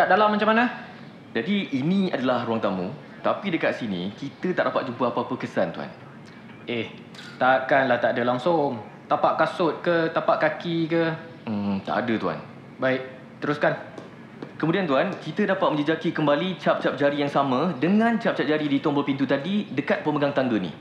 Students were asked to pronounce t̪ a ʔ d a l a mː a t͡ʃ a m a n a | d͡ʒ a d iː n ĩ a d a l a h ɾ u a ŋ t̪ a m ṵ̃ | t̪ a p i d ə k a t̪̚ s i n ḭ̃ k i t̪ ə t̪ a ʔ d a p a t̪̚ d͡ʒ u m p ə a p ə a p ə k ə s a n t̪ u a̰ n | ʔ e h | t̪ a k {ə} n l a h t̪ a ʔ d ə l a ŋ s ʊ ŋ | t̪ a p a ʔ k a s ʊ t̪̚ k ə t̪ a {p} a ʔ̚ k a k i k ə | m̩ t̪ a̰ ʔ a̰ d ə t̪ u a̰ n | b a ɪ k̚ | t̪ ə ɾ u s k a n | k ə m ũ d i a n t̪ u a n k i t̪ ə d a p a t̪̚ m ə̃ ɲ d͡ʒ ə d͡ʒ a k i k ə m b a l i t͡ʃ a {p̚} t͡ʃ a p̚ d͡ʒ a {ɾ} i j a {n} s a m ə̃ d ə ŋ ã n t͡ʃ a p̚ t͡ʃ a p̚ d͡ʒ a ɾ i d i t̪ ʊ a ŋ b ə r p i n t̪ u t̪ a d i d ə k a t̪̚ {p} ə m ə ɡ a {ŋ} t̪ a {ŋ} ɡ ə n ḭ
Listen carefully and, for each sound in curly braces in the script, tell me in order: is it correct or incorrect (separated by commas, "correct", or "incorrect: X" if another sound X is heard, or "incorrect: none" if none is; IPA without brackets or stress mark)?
incorrect: a, correct, correct, correct, incorrect: ŋ, correct, correct, correct